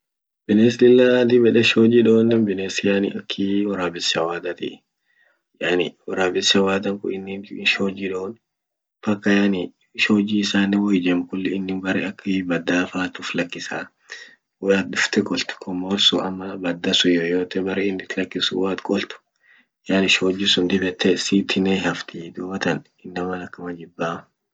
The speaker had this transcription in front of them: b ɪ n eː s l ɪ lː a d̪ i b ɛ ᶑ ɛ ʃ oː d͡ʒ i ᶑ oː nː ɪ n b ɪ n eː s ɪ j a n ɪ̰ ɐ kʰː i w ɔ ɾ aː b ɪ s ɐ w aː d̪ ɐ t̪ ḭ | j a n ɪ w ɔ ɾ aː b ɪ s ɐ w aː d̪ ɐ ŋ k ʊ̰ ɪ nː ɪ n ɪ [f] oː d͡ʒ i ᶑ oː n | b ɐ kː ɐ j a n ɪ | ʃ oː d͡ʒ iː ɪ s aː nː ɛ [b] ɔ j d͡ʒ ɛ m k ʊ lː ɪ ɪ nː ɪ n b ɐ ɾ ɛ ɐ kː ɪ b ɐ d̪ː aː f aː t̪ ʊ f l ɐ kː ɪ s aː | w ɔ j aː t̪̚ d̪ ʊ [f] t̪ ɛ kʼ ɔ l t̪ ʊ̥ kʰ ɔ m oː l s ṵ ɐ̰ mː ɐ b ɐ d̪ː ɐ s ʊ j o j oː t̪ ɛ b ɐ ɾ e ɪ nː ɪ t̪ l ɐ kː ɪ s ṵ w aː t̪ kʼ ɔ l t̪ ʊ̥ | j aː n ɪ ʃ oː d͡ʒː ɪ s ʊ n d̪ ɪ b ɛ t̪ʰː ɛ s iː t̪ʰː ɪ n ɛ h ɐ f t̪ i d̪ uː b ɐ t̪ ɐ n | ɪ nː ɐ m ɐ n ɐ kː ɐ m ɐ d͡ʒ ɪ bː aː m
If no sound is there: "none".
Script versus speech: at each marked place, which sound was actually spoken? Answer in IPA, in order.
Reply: ʃ, w, f

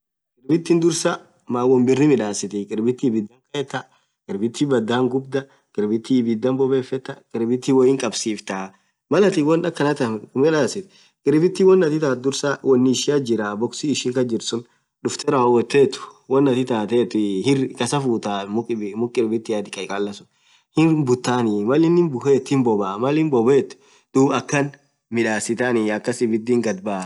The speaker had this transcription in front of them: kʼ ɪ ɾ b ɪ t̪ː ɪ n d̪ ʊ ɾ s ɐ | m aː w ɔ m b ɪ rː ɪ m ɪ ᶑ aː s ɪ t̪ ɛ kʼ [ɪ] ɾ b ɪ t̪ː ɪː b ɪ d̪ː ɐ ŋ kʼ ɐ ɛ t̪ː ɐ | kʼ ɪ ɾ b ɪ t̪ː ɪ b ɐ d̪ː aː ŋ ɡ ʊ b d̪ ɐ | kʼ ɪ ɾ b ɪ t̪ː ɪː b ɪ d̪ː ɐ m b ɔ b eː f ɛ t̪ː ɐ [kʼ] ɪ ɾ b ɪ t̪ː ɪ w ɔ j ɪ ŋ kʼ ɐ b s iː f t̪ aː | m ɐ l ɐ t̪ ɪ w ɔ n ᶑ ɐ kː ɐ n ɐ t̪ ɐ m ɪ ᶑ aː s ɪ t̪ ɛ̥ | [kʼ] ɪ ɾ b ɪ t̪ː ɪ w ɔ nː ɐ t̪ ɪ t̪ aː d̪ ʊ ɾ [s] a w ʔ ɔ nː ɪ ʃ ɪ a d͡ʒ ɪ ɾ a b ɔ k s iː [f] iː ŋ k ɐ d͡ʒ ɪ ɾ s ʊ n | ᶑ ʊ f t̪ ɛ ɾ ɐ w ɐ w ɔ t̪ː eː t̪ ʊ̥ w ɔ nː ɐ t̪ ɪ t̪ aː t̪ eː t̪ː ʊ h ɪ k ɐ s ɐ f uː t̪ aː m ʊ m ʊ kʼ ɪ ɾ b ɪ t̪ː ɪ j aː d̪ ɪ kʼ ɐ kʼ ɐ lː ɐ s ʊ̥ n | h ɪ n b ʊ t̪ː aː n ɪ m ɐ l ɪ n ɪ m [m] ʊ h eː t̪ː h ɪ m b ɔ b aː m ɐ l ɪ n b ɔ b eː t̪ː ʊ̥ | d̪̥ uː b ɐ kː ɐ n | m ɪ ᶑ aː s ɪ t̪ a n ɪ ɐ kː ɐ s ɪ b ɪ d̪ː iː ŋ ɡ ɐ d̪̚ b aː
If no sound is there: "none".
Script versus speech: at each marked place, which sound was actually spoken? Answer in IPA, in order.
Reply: ɪ, kʼ, kʼ, s, ʃ, b

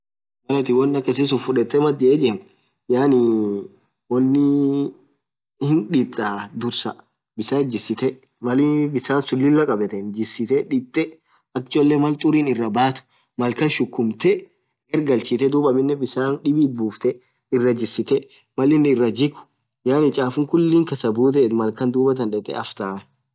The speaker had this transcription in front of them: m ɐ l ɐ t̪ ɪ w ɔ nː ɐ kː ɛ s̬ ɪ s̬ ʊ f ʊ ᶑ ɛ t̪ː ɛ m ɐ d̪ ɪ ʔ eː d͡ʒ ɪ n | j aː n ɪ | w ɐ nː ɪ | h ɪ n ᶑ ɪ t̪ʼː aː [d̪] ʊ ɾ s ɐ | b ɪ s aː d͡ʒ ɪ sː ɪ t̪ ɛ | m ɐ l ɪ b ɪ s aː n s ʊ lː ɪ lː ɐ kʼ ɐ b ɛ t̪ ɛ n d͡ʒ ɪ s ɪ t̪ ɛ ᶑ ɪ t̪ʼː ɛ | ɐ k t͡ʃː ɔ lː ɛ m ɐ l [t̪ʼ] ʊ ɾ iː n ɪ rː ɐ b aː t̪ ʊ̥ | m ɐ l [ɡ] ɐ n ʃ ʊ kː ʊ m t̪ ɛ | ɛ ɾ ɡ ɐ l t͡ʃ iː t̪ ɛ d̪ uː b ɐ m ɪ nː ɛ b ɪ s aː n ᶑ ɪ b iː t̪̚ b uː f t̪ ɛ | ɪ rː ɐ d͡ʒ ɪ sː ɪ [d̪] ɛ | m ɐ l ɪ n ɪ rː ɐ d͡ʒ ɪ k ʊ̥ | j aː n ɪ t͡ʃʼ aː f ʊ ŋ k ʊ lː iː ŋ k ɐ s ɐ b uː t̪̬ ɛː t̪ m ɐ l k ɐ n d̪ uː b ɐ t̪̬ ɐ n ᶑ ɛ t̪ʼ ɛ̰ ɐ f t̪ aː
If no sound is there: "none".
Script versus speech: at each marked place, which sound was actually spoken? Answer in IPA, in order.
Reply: d̪, t̪ʼ, k, t̪

